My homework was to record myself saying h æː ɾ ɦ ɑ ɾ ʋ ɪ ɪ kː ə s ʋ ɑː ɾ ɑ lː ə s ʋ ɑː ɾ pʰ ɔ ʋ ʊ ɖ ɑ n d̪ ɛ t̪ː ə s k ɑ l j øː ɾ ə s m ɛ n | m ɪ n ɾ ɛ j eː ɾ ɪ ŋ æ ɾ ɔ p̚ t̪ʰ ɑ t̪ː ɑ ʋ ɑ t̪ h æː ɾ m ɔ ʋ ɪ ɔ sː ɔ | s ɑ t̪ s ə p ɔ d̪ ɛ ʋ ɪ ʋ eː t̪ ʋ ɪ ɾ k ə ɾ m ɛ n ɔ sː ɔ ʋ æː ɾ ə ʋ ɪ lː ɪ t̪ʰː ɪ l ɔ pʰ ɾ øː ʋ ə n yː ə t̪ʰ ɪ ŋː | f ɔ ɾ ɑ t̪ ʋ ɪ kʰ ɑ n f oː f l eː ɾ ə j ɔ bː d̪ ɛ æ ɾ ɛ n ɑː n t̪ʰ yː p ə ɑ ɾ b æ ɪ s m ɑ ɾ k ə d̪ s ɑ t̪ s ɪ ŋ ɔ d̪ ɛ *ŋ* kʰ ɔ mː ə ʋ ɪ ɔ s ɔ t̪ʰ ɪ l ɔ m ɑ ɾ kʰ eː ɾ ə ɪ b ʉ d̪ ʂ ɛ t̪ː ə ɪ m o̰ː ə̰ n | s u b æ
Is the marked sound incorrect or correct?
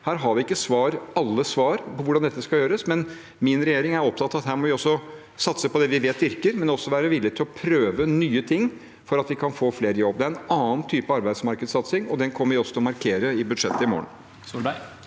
incorrect